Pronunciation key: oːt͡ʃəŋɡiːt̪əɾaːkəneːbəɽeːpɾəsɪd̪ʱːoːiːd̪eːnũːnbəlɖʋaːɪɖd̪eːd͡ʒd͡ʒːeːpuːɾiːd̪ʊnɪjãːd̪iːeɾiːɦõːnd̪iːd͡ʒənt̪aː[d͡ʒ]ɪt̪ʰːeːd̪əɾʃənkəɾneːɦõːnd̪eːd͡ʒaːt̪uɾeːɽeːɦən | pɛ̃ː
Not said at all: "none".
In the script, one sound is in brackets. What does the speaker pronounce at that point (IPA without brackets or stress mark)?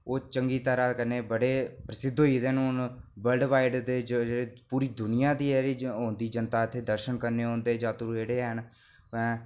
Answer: none